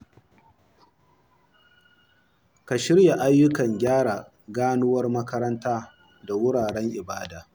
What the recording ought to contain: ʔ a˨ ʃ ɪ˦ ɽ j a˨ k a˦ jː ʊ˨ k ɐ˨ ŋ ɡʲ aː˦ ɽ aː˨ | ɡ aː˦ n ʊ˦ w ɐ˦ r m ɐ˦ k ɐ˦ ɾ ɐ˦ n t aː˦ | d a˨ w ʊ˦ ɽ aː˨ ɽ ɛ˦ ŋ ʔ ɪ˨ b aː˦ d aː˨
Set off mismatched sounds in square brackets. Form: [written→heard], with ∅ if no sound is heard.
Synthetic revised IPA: [ʔ→k] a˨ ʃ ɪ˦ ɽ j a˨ [k→ʔ] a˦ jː [ʊ˨→ʊ˦] k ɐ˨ ŋ ɡʲ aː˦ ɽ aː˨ | ɡ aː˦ n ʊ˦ w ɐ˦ r m ɐ˦ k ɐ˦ ɾ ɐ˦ n t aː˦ | d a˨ w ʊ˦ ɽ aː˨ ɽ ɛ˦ ŋ ʔ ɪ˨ b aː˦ d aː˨